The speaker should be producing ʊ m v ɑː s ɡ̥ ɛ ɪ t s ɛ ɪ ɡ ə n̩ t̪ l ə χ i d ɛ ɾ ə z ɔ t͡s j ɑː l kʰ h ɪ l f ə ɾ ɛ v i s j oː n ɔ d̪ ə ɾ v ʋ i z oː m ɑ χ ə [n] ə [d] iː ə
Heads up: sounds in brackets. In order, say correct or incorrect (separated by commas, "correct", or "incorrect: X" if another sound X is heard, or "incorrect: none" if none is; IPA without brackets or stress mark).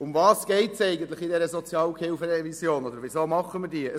incorrect: m, correct